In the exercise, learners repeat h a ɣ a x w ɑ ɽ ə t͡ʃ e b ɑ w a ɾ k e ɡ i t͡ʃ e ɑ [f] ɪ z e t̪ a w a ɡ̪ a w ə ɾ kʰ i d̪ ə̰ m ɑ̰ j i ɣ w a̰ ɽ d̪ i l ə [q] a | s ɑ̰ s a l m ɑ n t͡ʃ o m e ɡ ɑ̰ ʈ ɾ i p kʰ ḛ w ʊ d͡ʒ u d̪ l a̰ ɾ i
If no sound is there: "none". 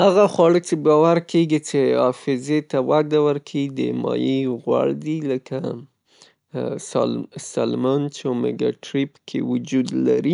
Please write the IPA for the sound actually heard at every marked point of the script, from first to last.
f, k

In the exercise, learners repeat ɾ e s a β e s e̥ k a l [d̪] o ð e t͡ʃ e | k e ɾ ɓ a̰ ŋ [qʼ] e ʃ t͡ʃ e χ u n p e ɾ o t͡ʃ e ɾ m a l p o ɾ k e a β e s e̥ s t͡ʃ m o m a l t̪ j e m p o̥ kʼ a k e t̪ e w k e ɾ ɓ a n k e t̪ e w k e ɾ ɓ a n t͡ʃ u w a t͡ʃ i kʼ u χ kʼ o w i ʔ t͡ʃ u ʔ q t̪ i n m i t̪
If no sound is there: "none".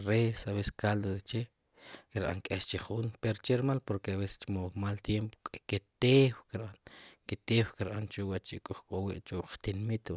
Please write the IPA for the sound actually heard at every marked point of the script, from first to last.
d̪, kʼ

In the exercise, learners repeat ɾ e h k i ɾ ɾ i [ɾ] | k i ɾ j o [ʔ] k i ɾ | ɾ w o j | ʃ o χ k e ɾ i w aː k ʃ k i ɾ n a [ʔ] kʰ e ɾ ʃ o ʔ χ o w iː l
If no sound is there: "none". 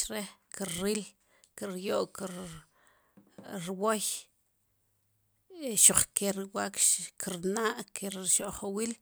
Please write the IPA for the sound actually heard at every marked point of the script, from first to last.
l, ʔ, ʔ

